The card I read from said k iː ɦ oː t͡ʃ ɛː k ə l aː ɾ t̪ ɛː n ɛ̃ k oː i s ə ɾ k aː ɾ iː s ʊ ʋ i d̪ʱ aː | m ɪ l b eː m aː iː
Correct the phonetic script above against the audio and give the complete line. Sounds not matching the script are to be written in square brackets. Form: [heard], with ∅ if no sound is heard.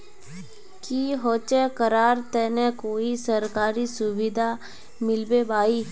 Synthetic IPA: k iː ɦ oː t͡ʃ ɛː k ə [ɾ] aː ɾ t̪ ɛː n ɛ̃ k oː i s ə ɾ k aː ɾ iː s ʊ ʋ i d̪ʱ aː | m ɪ l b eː [b] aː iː